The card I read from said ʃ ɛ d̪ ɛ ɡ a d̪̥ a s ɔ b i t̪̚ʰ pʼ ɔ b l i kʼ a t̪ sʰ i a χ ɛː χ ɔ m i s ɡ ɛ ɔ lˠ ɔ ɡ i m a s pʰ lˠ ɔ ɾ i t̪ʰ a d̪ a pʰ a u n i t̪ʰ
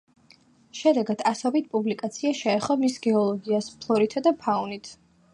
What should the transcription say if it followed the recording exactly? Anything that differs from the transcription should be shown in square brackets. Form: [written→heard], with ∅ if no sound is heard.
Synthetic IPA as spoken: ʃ ɛ d̪ ɛ ɡ a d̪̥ a s ɔ b i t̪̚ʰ pʼ [ɔ→u] b l i kʼ a t̪ sʰ i a [χ→ʃ] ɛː χ ɔ m i s ɡ ɛ ɔ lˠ ɔ ɡ i [m→∅] a s pʰ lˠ ɔ ɾ i t̪ʰ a d̪ a pʰ a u n i t̪ʰ